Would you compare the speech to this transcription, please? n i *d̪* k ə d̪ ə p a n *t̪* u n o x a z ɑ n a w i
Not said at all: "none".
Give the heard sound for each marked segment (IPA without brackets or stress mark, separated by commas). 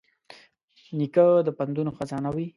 none, d̪